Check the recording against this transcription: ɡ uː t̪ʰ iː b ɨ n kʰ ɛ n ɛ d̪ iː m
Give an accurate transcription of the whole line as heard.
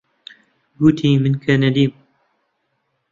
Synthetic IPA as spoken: ɡ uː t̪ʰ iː m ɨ n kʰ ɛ n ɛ d̪ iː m